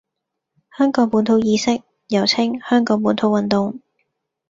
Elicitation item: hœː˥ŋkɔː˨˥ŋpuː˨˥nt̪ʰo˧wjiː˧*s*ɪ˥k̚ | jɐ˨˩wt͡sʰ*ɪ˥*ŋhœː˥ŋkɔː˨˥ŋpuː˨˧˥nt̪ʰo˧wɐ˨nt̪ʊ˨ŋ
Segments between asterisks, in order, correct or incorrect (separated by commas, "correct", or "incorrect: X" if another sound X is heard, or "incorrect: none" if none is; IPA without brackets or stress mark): correct, correct